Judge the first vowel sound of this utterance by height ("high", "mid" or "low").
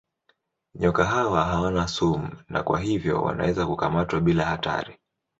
mid